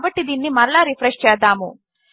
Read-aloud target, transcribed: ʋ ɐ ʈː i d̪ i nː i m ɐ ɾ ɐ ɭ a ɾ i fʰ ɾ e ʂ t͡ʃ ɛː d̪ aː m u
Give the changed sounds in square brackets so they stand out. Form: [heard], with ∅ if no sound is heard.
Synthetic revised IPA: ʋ ɐ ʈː i d̪ i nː i m ɐ ɾ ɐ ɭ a ɾ i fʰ ɾ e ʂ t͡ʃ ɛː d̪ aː m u